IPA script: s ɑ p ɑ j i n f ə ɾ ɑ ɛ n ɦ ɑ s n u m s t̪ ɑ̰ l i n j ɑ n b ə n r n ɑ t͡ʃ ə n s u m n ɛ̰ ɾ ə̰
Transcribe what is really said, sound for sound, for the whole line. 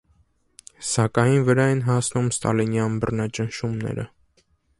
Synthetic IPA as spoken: s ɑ k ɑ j i n v ə ɾ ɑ ɛ n ɦ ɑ s n u m s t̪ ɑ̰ l i n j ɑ n b ə r n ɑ t͡ʃ ə n ʃ u m n ɛ̰ ɾ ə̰